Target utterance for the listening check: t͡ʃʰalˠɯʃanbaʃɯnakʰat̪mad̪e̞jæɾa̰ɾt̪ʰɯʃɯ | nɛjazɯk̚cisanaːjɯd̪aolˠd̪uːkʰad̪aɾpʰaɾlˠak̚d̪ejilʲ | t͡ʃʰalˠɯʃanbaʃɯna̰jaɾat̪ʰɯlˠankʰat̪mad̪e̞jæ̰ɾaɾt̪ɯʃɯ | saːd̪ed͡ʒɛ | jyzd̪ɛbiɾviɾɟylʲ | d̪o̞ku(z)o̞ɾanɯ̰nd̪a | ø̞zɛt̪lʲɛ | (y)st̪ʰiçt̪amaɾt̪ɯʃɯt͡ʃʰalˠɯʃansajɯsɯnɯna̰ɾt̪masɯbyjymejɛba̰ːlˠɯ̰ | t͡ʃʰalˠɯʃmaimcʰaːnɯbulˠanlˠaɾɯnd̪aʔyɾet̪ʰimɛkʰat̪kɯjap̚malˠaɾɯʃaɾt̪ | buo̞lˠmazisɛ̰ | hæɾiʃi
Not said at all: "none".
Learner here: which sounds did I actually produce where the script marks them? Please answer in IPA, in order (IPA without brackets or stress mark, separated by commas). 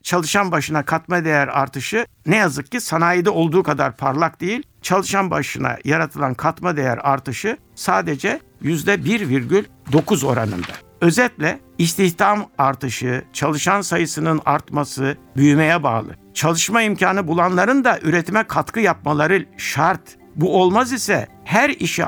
z, i